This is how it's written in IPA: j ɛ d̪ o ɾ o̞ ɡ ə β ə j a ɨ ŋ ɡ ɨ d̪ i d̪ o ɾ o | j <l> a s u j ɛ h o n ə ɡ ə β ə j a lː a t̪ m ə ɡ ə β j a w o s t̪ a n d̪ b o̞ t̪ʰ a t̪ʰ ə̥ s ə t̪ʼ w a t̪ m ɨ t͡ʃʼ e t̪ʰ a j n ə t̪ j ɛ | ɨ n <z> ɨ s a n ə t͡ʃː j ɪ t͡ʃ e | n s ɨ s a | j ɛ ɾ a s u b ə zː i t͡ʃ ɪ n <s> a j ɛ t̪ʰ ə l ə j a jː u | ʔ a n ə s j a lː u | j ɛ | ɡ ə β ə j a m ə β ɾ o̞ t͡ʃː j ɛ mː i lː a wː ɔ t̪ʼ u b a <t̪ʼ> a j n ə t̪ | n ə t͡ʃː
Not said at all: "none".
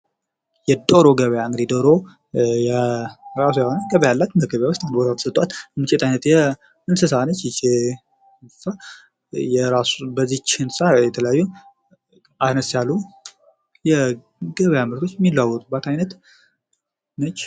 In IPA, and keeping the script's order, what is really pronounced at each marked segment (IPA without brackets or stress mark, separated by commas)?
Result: ɾ, s, s, t̪